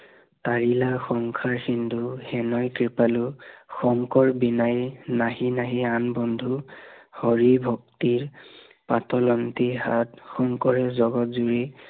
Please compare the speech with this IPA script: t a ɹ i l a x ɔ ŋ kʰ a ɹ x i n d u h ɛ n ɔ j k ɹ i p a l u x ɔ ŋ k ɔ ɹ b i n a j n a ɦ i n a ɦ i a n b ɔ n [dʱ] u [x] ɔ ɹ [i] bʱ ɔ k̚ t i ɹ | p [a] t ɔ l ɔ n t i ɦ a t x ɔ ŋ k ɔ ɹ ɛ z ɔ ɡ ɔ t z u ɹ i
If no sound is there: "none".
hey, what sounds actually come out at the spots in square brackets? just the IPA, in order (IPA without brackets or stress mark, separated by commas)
dʱ, h, i, a